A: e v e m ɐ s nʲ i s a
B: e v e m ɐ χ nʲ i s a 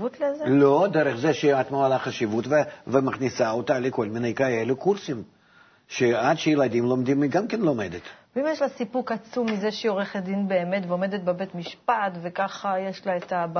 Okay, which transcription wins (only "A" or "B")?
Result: B